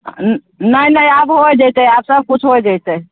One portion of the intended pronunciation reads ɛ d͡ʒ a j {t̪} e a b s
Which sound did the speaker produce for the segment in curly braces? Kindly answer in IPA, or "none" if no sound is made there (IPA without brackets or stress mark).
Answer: t̪